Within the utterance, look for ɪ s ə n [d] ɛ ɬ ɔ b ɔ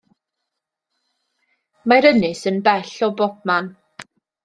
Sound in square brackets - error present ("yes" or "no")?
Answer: yes